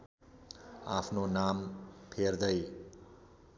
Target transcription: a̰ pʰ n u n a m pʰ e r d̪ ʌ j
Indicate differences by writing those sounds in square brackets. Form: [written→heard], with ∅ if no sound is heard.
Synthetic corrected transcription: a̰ pʰ n [u→o] n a m pʰ e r d̪ ʌ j